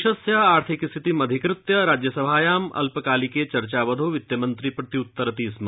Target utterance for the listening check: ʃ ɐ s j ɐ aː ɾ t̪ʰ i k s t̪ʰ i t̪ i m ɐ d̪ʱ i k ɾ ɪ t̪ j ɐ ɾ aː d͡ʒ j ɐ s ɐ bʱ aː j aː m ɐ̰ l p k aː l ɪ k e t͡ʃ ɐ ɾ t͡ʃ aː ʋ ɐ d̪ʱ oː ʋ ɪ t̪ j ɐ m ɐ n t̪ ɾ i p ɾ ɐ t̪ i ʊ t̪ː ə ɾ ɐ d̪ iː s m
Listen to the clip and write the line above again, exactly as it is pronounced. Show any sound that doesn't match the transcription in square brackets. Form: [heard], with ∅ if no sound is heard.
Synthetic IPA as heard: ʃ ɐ s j ɐ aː ɾ t̪ʰ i k s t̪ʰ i t̪ i m ɐ d̪ʱ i k ɾ ɪ t̪ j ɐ ɾ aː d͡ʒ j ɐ s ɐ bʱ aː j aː m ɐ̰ l p k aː l [i] k e t͡ʃ ɐ ɾ t͡ʃ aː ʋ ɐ d̪ʱ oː ʋ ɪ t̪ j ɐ m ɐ n t̪ ɾ i p ɾ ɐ t̪ i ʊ t̪ː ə ɾ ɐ [t̪] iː s m